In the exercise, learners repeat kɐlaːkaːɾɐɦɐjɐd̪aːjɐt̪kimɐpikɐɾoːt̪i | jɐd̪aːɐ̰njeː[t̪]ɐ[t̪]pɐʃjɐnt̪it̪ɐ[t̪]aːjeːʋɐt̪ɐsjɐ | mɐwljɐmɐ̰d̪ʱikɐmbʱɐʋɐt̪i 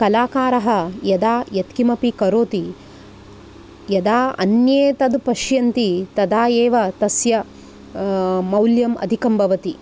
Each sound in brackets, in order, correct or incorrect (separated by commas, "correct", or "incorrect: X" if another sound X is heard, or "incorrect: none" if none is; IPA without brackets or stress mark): correct, incorrect: d̪, incorrect: d̪